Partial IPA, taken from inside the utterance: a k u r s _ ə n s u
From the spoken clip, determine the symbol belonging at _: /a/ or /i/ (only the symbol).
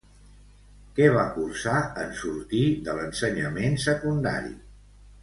a